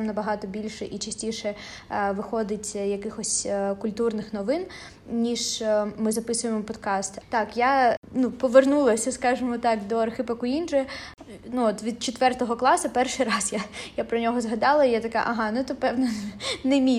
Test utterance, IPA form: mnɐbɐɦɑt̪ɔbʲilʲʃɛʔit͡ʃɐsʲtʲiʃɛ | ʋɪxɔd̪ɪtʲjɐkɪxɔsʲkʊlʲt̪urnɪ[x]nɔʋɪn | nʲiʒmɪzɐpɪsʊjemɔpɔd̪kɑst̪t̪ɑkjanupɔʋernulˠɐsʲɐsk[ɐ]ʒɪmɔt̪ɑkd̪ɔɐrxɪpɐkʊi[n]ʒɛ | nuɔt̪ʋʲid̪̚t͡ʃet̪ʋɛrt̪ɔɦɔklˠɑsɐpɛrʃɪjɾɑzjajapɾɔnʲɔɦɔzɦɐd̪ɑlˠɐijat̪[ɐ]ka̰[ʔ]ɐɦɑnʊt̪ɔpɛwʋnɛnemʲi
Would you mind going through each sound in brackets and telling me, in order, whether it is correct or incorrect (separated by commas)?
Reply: correct, incorrect, correct, correct, correct